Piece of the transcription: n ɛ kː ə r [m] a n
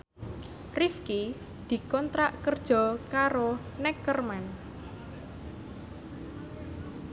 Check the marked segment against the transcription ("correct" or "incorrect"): correct